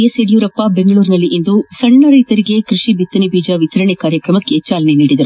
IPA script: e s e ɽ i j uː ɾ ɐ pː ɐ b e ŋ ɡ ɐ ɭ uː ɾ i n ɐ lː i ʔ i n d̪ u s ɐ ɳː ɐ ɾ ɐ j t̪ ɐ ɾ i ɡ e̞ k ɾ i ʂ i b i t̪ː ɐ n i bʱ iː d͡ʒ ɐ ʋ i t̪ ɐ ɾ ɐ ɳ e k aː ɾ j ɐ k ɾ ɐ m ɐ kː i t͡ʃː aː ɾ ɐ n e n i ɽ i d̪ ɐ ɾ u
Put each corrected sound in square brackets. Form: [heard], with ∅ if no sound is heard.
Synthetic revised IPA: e s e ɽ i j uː ɾ ɐ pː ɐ b e ŋ ɡ ɐ ɭ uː ɾ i n ɐ lː i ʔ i n d̪ u s ɐ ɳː ɐ ɾ ɐ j t̪ ɐ ɾ i ɡ e̞ k ɾ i ʂ i b i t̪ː ɐ n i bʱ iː d͡ʒ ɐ ʋ i t̪ ɐ ɾ ɐ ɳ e k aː ɾ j ɐ k ɾ ɐ m ɐ kː [e] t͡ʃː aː [l] ɐ n e n [iː] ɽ i d̪ ɐ ɾ u